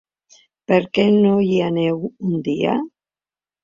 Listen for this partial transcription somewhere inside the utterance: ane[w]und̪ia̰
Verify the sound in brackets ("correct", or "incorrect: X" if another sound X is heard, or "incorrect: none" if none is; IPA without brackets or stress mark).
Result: correct